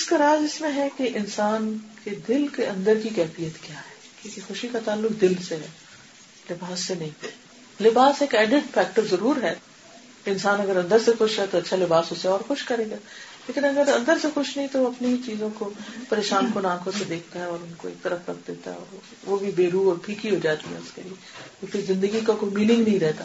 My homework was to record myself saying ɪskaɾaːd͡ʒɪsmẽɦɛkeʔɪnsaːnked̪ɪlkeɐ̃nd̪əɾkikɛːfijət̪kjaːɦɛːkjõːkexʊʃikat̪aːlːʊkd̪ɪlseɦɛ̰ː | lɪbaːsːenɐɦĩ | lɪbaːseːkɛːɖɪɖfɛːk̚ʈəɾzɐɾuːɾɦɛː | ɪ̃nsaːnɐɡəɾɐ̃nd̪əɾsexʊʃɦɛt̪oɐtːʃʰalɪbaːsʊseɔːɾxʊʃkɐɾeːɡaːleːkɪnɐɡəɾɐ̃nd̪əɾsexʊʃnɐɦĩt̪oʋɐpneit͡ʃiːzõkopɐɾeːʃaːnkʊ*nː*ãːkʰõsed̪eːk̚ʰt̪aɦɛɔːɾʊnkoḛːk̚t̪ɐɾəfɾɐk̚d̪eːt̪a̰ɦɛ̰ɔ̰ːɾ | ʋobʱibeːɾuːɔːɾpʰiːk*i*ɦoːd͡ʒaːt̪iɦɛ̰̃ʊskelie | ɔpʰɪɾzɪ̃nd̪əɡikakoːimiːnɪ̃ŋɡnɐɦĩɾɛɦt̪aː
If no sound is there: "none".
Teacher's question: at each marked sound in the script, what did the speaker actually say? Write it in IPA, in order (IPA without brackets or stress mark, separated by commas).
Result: n, i